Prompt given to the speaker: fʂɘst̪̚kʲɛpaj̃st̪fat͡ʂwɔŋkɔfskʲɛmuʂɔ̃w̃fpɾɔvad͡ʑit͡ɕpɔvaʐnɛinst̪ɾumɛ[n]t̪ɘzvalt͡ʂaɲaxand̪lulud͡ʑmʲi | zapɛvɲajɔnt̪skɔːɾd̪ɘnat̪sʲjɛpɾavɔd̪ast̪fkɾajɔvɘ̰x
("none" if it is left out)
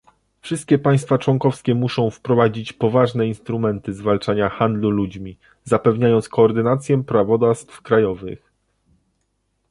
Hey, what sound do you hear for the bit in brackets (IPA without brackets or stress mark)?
n